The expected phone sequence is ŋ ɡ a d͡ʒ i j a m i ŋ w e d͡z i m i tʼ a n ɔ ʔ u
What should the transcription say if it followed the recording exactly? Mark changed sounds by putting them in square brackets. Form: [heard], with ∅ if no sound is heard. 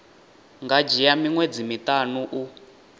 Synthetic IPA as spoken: ŋ ɡ a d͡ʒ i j a m i ŋ w e d͡z i m i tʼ a n [u] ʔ u

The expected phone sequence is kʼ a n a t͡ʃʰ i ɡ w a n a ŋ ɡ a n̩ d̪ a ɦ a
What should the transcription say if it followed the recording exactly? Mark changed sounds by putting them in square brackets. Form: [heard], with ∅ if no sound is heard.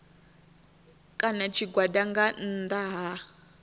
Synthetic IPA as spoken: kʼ a n a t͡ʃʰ i ɡ w a [d] a ŋ ɡ a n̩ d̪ a ɦ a

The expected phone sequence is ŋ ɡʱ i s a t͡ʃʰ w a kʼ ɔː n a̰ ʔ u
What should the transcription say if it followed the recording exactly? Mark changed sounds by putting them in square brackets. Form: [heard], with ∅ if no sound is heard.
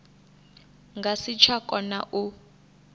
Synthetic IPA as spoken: ŋ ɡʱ [a] s [i] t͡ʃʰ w a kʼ [ɔ] n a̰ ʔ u

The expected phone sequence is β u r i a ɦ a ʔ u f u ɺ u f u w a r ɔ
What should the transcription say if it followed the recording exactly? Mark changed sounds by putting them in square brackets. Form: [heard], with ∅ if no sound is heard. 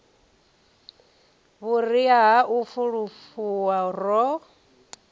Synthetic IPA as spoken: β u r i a ɦ a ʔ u f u ɺ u f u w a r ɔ

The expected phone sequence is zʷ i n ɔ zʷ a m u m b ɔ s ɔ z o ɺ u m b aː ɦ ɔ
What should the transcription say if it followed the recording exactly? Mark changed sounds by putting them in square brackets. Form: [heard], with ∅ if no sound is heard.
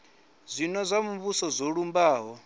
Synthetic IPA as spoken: zʷ i n ɔ zʷ a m u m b [u] s ɔ z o ɺ u m b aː ɦ ɔ

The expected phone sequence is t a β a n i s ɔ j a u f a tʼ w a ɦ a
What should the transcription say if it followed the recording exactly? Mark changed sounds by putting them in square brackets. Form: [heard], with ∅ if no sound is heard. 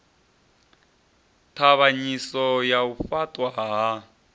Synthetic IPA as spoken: [tʰ] a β a [ɲ] i s ɔ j a u f a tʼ w a ɦ a

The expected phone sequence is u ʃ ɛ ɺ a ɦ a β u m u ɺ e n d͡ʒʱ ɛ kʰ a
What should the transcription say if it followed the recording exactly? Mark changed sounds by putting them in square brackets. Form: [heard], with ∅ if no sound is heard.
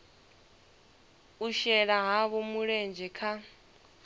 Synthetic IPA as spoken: u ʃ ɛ ɺ a ɦ a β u m u ɺ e n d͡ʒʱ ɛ kʰ a

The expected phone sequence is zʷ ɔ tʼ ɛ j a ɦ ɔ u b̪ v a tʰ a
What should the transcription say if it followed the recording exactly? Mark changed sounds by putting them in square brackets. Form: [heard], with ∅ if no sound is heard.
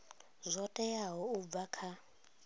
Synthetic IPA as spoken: zʷ ɔ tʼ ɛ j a ɦ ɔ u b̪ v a [kʰ] a

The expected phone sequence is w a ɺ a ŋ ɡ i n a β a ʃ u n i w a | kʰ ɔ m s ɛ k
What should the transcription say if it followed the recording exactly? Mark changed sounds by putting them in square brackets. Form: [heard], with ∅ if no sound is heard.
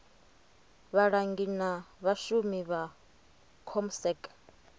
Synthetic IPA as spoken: [β] a ɺ a ŋ ɡ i n a β a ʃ u [m] i [β] a | kʰ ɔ m s ɛ k

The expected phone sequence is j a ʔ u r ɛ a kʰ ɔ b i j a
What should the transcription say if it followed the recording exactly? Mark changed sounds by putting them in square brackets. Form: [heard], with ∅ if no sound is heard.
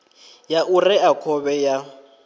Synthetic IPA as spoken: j a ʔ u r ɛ a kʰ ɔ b [ɛ] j a

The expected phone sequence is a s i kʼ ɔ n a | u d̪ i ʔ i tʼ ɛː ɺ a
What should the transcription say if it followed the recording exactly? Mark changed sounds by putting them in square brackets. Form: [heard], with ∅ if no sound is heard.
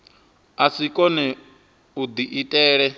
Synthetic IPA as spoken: a s i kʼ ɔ n [ɛ] | u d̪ i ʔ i tʼ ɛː ɺ [ɛ]

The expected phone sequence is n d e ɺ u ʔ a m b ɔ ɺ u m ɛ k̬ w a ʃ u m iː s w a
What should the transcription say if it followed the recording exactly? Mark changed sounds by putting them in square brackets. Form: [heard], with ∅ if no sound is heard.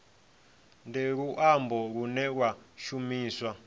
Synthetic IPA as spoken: n d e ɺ u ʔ a m b ɔ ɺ u [n] ɛ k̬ w a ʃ u m iː s w a

